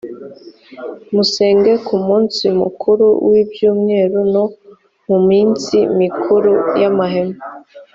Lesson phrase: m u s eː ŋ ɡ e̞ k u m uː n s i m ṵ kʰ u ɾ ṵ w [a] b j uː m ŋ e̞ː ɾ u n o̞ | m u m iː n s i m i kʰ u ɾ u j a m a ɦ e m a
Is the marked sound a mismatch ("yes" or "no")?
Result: yes